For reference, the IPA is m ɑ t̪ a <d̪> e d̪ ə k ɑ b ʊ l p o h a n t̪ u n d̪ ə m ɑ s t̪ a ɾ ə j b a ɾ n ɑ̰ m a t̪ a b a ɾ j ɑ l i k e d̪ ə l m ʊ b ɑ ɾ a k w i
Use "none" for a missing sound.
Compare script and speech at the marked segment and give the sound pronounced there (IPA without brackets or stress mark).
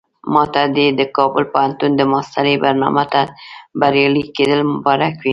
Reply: d̪